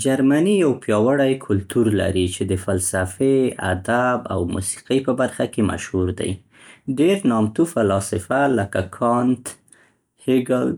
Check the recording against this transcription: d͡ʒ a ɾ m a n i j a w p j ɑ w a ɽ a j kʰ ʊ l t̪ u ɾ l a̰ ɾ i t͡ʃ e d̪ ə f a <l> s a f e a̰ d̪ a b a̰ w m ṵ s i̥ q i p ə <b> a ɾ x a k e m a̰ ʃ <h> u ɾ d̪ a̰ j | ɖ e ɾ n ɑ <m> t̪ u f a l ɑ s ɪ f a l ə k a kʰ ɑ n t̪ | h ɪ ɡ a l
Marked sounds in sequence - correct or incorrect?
correct, correct, correct, correct

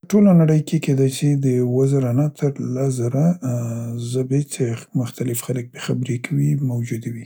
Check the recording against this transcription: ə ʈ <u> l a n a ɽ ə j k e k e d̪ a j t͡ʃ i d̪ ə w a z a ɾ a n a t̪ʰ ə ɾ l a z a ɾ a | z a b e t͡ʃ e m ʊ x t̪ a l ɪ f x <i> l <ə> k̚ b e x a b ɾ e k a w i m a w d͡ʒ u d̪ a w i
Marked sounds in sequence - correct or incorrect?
incorrect, incorrect, correct

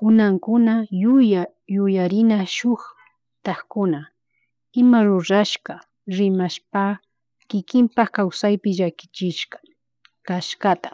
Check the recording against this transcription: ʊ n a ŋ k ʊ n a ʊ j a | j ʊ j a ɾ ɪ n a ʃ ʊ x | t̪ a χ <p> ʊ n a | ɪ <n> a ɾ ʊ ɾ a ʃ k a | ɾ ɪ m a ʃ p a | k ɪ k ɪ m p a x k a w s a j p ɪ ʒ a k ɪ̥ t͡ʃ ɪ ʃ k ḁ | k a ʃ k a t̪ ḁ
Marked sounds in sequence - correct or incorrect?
incorrect, incorrect

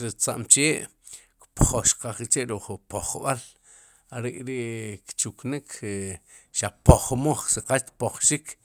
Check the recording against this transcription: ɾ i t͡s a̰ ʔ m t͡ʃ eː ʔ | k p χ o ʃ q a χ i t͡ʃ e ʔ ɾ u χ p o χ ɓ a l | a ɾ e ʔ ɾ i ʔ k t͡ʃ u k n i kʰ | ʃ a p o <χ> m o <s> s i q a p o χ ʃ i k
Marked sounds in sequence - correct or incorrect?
correct, incorrect

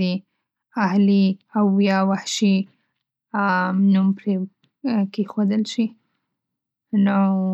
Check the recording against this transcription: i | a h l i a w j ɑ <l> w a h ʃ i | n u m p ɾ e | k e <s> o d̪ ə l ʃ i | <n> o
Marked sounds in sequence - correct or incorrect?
incorrect, incorrect, correct

